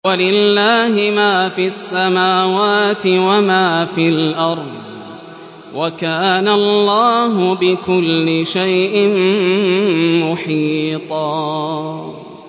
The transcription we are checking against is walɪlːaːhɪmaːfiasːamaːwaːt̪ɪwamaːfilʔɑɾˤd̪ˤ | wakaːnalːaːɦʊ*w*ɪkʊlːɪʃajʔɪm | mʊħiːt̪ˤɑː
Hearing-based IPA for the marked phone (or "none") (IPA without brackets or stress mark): b